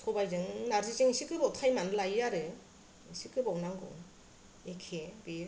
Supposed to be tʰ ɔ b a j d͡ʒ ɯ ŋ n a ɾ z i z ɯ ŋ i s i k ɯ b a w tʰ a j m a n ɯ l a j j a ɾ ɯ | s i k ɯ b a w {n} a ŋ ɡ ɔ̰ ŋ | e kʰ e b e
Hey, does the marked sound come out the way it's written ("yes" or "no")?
yes